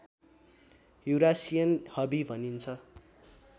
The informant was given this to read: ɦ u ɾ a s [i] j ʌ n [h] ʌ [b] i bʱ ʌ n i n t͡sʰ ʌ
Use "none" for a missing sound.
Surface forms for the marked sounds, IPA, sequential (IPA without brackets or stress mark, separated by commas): i, h, b